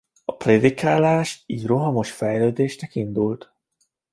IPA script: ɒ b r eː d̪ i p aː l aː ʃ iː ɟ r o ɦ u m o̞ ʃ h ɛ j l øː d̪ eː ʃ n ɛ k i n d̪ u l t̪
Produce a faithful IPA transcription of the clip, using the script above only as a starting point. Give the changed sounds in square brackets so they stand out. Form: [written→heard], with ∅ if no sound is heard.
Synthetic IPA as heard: ɒ [b→p] r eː d̪ i [p→k] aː l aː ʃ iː ɟ r o ɦ [u→ɒ] m o̞ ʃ [h→f] ɛ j l øː d̪ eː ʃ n ɛ k i n d̪ u l t̪